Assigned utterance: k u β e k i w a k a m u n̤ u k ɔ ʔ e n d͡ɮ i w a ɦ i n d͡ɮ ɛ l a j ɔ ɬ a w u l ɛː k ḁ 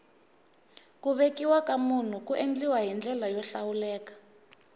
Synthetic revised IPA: k u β e k i w a k a m u n̤ u k u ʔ e n d͡ɮ i w a ɦ i n d͡ɮ ɛ l a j ɔ ɬ a w u l ɛː k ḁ